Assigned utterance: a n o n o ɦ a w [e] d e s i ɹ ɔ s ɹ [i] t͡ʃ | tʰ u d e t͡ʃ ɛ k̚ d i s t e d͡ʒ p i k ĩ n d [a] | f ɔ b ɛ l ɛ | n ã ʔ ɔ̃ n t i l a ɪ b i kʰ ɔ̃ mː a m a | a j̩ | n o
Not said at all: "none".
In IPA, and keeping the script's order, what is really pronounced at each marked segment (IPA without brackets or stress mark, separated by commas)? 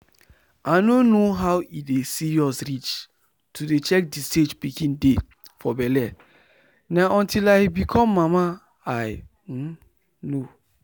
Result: i, i, e